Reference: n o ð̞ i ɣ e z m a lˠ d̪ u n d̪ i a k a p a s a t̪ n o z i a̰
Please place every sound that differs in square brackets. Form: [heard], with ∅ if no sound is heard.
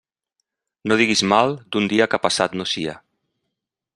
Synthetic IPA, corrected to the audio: n o ð̞ i ɣ [i] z m a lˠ d̪ u n d̪ i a k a p a s a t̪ n o [s] i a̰